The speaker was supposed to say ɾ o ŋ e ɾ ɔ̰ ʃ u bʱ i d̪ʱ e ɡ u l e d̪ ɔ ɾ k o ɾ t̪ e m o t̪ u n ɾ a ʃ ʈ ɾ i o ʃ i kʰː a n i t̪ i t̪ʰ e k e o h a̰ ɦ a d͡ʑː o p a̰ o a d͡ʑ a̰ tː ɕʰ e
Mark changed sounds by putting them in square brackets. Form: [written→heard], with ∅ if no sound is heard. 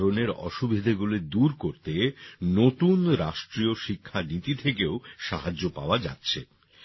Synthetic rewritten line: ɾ o [ŋ→n] e ɾ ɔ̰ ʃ u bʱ i d̪ʱ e ɡ u l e d̪ [ɔ→u] ɾ k o ɾ t̪ e [m→n] o t̪ u n ɾ a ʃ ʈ ɾ i o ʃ i kʰː a n i t̪ i t̪ʰ e k e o [h→ʃ] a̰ ɦ a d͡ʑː o p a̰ o a d͡ʑ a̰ tː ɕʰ e